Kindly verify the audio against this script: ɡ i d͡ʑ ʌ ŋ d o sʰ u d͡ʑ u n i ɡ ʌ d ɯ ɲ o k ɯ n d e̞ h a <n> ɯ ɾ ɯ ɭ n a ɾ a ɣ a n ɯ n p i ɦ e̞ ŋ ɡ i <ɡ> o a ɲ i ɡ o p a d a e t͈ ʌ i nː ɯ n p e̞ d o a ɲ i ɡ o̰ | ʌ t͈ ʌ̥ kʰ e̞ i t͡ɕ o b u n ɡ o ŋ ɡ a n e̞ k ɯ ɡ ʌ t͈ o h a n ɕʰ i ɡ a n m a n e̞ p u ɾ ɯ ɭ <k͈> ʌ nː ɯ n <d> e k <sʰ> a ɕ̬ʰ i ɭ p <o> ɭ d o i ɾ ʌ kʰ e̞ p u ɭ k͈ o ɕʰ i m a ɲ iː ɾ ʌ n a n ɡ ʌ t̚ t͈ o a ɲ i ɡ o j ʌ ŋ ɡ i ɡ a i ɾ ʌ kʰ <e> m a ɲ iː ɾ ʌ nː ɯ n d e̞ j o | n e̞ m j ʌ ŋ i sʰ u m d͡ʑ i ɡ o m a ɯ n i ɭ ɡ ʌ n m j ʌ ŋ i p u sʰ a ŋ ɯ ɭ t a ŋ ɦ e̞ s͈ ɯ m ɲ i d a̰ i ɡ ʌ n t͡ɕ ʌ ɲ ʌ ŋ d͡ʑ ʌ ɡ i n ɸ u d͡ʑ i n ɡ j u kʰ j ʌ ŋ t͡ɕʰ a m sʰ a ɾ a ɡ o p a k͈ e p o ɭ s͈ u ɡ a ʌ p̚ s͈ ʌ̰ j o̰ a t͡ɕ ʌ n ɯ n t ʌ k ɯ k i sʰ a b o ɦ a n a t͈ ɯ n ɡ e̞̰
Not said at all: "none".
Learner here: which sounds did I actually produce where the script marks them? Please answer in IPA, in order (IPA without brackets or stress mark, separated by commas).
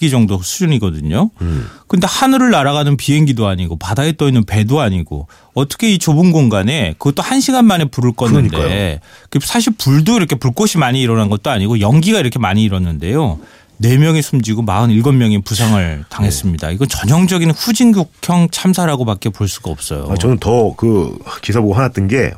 n, d, k͈, d, sʰ, u, e